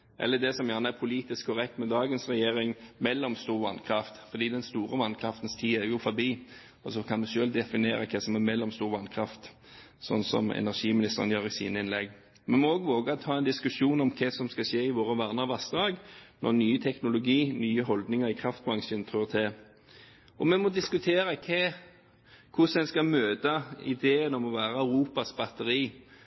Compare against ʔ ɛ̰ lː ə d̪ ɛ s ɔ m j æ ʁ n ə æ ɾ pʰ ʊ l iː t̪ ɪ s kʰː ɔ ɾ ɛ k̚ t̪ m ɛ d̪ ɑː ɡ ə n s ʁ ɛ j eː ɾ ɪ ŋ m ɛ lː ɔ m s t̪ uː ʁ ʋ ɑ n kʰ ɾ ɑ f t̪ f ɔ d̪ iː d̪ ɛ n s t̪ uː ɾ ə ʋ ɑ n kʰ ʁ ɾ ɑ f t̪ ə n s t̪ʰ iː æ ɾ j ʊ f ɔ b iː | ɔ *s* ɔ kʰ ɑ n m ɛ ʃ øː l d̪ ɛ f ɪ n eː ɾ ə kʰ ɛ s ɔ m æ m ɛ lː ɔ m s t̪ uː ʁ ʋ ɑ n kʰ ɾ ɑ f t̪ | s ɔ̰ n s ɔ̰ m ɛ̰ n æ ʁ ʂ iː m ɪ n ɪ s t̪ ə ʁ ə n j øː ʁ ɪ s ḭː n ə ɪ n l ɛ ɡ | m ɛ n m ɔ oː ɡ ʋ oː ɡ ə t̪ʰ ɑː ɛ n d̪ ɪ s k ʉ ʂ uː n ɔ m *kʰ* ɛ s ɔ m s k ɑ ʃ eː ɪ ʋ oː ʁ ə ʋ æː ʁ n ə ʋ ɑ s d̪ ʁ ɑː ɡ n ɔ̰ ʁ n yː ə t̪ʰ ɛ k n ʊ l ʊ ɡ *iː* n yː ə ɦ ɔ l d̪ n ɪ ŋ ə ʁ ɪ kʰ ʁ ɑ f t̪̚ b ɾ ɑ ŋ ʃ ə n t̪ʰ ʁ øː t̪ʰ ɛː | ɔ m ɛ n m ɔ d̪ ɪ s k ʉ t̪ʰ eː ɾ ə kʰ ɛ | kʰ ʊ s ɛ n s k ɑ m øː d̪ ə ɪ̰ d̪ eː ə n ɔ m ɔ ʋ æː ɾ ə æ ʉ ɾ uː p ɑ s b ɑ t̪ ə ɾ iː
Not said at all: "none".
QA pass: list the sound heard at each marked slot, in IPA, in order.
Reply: s, kʰ, iː

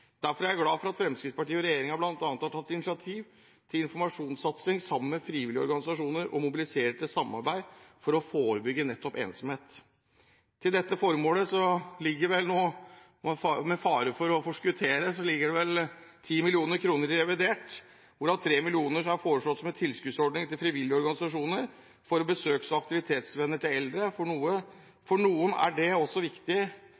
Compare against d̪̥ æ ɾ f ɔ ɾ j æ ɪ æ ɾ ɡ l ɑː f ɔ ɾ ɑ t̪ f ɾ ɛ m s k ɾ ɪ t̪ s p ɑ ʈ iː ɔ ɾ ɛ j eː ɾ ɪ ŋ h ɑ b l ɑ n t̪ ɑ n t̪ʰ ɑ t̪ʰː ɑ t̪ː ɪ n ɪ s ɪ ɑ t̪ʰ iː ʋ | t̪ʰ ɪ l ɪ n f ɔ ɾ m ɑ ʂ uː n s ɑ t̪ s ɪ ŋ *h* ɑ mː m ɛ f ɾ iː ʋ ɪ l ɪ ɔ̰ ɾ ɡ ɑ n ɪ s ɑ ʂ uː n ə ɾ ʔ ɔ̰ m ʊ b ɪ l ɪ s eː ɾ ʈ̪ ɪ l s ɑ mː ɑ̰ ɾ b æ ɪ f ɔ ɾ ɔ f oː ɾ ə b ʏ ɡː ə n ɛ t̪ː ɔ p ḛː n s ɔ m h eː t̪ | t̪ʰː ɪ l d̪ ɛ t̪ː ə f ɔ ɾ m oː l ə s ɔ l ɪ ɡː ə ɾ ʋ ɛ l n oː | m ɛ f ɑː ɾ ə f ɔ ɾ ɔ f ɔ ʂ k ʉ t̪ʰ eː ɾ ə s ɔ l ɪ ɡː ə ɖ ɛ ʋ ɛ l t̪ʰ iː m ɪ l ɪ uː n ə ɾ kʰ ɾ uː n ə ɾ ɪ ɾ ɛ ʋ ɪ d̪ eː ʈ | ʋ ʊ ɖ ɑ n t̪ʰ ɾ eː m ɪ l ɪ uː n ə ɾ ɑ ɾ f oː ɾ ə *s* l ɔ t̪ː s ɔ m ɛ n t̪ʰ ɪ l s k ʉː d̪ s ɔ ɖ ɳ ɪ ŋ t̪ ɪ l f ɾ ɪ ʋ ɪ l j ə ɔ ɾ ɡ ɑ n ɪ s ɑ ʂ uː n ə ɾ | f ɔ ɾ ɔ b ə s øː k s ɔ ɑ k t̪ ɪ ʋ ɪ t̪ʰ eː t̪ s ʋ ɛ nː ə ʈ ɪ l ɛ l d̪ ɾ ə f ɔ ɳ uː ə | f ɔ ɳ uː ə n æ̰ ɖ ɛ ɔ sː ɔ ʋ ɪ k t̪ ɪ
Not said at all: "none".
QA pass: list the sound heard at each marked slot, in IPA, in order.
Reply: s, ʂ

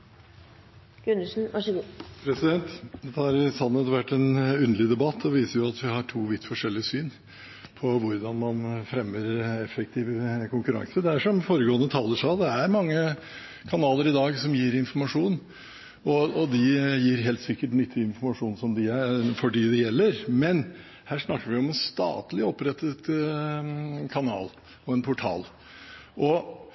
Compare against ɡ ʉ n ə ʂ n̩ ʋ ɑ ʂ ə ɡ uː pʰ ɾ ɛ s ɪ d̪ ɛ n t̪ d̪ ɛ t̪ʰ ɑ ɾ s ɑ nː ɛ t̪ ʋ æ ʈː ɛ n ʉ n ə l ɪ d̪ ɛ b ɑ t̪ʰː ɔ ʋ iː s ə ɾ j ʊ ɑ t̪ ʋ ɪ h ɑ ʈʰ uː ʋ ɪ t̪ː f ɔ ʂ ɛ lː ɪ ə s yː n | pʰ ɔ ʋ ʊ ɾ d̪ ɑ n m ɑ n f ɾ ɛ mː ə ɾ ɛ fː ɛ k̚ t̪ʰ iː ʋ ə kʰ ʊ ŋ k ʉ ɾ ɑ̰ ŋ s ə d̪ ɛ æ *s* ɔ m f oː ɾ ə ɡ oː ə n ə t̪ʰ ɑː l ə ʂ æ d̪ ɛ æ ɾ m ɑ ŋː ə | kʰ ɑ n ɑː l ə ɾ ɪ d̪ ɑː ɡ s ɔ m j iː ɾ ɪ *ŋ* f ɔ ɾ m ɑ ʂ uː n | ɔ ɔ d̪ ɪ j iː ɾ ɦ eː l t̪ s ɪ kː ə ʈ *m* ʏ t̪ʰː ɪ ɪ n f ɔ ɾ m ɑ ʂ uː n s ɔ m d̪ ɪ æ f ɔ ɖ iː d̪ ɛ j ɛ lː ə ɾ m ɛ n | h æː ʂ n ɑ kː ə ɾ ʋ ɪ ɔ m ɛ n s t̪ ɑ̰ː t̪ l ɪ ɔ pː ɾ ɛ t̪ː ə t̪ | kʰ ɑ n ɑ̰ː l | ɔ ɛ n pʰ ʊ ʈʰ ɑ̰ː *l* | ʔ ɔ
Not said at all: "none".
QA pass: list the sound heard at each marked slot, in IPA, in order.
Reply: ʂ, n, n, l

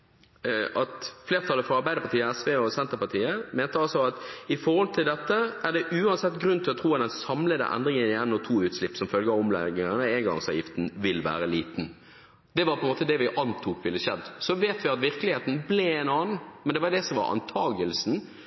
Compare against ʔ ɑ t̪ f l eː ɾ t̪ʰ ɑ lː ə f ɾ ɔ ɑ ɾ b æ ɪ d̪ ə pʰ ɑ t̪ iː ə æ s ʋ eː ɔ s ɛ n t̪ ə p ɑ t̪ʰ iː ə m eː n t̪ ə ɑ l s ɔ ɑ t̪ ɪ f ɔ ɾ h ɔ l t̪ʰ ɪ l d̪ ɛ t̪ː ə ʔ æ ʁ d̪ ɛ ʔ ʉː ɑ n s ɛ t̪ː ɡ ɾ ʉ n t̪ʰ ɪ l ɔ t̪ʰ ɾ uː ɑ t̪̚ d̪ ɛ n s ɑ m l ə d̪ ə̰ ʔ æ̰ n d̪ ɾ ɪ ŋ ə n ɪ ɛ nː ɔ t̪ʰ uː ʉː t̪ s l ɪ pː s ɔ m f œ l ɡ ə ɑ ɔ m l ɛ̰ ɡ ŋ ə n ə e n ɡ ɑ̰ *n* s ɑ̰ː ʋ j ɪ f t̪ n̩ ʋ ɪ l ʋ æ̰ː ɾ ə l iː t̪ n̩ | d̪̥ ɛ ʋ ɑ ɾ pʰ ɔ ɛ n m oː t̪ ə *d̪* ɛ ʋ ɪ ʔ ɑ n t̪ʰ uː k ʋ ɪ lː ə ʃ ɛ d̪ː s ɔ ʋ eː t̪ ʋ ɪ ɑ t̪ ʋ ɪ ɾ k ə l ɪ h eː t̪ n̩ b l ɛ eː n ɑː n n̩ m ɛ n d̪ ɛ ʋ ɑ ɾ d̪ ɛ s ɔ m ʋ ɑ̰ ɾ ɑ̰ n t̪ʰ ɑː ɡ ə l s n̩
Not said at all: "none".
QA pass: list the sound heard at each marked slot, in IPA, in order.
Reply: ŋ, d̪

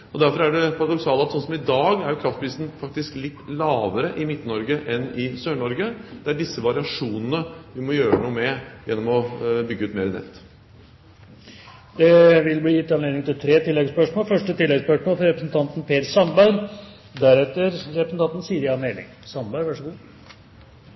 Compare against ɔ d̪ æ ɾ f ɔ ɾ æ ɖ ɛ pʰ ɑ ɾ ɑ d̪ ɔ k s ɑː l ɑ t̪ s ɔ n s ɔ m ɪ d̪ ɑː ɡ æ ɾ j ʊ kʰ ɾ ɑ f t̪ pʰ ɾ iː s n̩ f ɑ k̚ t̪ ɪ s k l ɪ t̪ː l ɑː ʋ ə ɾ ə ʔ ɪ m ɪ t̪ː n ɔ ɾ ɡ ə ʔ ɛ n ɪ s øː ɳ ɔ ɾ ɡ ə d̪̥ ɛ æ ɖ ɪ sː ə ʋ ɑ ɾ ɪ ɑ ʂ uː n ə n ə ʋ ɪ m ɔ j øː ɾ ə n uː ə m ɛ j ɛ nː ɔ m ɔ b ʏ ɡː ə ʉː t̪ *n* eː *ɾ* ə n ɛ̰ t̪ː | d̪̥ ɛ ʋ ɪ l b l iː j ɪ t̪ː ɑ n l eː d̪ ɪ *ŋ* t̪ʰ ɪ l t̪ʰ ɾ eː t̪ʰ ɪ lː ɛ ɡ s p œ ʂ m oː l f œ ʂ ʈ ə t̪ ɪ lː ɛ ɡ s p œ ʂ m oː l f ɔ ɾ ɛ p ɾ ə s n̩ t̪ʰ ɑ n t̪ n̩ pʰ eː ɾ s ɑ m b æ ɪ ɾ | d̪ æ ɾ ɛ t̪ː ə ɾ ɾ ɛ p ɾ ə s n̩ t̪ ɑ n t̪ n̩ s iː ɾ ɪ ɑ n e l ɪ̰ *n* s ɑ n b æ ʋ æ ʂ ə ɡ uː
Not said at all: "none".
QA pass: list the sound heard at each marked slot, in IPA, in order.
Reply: m, ɾ, ŋ, ŋ

